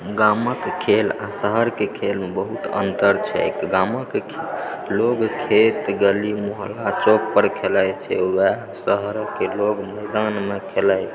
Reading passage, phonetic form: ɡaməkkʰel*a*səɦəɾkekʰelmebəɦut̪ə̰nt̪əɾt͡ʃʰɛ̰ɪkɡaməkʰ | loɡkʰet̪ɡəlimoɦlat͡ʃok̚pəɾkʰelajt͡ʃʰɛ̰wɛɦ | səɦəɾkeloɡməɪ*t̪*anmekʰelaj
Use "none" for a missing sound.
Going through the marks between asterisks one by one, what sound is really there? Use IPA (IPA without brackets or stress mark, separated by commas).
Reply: a, d̪